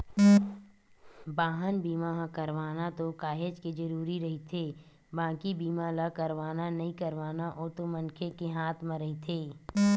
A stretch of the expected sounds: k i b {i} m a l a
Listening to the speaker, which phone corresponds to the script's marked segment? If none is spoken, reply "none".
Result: iː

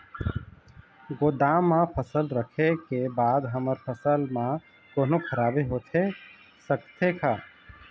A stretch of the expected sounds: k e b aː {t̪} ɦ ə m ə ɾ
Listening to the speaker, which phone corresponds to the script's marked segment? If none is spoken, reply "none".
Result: d̪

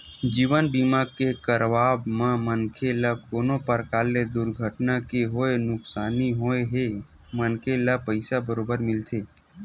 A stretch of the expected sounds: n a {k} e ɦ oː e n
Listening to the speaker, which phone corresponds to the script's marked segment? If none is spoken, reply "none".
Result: k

